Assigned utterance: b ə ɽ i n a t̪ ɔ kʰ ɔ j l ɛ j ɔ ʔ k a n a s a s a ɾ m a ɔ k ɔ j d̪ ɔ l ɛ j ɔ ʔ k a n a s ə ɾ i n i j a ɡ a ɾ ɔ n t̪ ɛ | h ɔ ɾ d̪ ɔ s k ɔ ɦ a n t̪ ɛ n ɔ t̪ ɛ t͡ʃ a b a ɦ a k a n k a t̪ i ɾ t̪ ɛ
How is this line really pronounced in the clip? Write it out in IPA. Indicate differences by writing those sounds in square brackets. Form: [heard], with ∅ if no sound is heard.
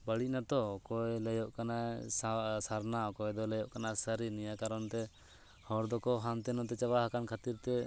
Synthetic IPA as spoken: b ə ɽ i n a t̪ ɔ [k] ɔ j l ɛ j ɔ ʔ k a n a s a s a ɾ [n] a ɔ k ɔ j d̪ ɔ l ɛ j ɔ ʔ k a n a s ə ɾ i n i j a [k] a ɾ ɔ n t̪ ɛ | h ɔ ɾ d̪ ɔ [∅] k ɔ ɦ a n t̪ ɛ n ɔ t̪ ɛ t͡ʃ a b a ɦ a k a n [kʰ] a t̪ i ɾ t̪ ɛ